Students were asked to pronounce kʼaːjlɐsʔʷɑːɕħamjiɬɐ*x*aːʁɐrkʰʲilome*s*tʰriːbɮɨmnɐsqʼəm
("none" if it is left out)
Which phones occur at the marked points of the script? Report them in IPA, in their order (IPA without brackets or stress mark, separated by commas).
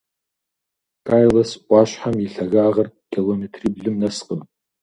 ɣ, none